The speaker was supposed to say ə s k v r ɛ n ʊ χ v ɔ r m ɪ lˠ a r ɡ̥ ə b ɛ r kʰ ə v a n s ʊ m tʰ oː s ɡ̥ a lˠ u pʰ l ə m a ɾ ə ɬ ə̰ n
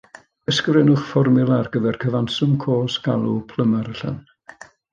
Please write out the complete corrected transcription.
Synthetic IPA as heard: ə s k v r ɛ n ʊ χ f ɔ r m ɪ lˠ a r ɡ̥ ə v ɛ r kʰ ə v a n s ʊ m kʰ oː s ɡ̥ a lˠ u pʰ l ə m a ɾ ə ɬ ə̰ n

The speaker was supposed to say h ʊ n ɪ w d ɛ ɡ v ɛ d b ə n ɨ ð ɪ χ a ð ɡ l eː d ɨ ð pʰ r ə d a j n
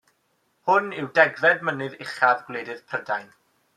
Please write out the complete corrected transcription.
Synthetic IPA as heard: h ʊ n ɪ w d ɛ ɡ v ɛ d m ə n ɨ ð ɪ χ a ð ɡ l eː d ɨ ð pʰ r ə d a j n

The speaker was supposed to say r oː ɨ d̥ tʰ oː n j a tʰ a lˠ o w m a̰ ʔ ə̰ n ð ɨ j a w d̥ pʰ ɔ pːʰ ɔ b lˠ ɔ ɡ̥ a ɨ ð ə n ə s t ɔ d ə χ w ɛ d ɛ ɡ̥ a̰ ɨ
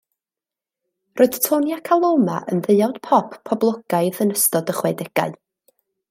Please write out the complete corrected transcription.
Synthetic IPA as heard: r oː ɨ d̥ tʰ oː n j a kʰ a lˠ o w m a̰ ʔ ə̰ n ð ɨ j a w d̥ pʰ ɔ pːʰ ɔ b lˠ ɔ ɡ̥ a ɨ ð ə n ə s t ɔ d ə χ w ɛ d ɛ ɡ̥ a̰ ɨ

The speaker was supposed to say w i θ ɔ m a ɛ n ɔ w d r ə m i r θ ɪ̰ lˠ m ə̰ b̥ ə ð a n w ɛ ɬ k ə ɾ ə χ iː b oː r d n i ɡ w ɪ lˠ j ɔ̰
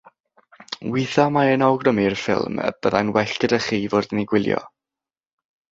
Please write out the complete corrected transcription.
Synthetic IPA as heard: w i θ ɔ m a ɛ n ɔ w ɡ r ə m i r f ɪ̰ lˠ m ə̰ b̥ ə ð a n w ɛ ɬ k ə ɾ ə χ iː v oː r d n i ɡ w ɪ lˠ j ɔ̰

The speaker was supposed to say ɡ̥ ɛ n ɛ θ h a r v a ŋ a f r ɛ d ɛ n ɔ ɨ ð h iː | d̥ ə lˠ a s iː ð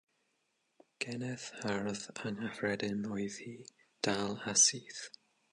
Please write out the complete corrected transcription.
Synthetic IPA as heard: ɡ̥ ɛ n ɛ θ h a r ð a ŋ a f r ɛ d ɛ n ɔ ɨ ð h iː | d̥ a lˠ a s iː θ

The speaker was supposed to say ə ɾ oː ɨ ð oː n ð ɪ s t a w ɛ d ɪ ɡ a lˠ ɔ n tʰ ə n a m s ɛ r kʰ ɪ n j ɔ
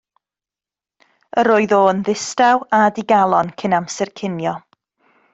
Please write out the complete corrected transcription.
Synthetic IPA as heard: ə ɾ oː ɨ ð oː n ð ɪ s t a w a d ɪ ɡ a lˠ ɔ n kʰ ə n a m s ɛ r kʰ ɪ n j ɔ

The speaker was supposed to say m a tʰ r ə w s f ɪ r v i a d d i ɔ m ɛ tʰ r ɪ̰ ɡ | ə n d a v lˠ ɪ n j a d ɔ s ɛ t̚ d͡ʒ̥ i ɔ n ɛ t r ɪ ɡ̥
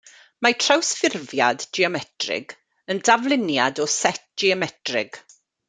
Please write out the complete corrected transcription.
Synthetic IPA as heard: m a tʰ r a w s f ɪ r v j a d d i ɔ m ɛ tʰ r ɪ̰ ɡ | ə n d a v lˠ ɪ n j a d ɔ s ɛ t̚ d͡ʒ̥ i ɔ m ɛ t r ɪ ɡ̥

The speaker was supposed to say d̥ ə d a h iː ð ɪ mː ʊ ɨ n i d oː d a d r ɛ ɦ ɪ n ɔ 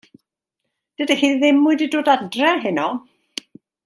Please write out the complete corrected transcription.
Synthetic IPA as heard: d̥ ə d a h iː ð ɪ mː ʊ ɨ d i d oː d a d r ɛ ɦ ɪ n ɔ

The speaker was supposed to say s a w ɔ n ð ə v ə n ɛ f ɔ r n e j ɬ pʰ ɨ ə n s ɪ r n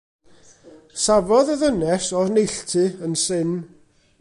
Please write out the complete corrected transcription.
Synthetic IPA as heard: s a v ɔ ð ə ð ə n ɛ s ɔ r n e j ɬ tʰ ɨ ə n s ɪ n

